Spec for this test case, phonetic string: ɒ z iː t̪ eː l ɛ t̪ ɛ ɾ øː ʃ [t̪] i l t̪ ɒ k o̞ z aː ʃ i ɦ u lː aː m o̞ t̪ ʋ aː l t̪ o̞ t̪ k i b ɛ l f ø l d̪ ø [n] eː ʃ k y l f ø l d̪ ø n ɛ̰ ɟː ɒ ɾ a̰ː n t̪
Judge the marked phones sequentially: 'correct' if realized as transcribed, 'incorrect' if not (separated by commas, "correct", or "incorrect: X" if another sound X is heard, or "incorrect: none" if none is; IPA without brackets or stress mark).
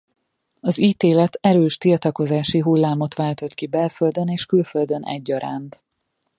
correct, correct